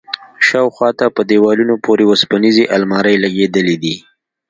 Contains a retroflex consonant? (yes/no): no